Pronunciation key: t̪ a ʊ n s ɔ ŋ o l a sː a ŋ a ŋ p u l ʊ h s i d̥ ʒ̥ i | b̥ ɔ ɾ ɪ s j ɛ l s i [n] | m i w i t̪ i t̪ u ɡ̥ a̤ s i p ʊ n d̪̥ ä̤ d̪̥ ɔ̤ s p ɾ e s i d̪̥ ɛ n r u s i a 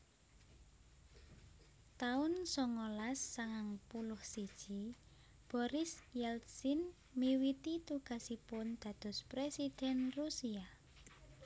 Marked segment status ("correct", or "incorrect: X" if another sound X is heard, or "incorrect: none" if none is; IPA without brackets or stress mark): correct